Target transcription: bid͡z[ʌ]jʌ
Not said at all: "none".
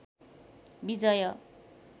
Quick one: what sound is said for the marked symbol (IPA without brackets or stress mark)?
ʌ